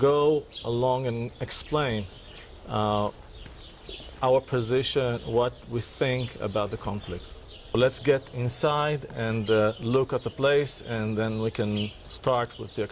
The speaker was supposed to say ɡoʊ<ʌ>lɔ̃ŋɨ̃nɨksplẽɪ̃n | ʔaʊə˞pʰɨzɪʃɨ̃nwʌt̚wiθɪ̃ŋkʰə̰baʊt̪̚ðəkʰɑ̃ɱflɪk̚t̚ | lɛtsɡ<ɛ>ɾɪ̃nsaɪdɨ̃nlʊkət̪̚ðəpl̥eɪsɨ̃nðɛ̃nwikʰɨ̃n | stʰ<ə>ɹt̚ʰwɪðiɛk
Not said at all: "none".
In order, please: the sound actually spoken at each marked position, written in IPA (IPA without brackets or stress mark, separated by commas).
ə, ɛ, ɑ